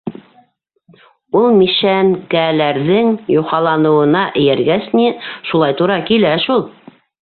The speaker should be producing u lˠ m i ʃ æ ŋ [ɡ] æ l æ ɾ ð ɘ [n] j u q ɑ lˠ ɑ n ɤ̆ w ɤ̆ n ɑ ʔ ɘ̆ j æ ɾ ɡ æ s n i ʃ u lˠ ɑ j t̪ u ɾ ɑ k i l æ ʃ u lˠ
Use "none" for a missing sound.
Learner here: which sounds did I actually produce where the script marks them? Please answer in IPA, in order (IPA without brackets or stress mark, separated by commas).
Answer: k, ŋ